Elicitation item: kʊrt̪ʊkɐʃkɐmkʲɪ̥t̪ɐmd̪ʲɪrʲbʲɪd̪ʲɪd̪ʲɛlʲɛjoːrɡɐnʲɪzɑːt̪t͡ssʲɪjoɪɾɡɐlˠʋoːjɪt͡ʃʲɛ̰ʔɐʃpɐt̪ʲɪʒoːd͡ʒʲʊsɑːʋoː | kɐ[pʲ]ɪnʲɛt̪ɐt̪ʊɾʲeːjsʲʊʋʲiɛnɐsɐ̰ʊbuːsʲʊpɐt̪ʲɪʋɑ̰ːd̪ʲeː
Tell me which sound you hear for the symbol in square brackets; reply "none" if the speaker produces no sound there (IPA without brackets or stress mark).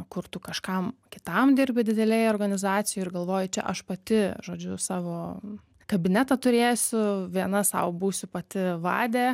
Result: bʲ